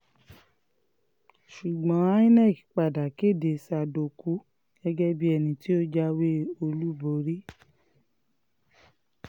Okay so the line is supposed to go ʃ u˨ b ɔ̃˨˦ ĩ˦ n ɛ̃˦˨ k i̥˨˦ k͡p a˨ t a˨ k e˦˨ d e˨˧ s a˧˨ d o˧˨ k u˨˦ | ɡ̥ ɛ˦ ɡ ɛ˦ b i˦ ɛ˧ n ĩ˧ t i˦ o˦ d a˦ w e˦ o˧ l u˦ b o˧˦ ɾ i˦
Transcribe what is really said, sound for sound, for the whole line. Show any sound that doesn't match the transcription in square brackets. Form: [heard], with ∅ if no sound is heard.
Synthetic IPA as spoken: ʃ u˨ [ɡ͡b] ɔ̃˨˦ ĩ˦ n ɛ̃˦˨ k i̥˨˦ k͡p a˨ [d] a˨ k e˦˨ d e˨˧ s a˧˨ d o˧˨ k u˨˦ | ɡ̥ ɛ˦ ɡ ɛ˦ b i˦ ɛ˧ n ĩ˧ t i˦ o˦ [d͡ʒ] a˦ w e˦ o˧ l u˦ b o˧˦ ɾ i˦